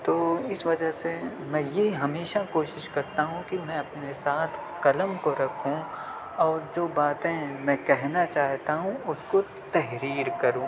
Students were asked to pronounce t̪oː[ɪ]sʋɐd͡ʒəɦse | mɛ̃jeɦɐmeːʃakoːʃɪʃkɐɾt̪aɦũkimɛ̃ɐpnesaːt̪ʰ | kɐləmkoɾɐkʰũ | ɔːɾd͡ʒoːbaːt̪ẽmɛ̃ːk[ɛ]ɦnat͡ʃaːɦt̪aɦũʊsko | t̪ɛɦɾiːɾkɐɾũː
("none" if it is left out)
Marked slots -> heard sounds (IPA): ɪ, ɛ

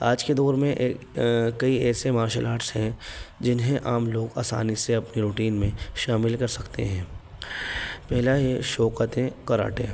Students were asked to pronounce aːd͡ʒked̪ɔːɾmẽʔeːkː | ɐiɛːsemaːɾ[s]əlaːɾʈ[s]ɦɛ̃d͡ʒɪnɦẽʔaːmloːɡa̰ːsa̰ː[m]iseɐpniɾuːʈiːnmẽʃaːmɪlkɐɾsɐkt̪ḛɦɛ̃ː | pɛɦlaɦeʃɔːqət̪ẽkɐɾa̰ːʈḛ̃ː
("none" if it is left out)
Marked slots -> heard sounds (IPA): ʃ, s, n

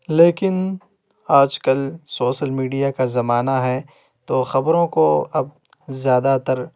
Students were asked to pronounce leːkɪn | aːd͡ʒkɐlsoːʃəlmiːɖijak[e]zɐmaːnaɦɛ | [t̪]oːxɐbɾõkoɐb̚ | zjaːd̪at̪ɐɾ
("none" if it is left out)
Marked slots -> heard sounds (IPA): a, t̪

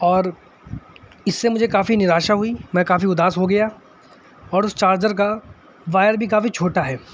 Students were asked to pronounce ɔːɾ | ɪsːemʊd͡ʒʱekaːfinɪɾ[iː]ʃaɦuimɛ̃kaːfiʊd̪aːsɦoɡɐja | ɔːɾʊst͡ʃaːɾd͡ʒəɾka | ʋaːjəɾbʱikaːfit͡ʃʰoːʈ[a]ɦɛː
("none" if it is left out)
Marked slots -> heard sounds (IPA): aː, a

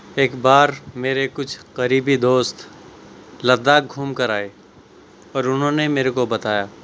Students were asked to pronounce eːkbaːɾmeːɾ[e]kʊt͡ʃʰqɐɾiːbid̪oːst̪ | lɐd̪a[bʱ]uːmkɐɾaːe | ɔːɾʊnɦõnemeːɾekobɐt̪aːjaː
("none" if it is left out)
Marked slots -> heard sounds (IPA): e, ɡʱ

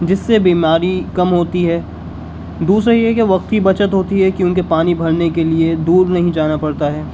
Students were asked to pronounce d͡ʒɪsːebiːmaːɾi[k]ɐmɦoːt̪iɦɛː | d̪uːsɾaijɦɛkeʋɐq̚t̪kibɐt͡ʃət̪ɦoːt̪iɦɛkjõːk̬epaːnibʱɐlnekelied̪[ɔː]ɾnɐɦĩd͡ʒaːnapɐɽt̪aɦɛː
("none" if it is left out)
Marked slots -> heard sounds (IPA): k, uː

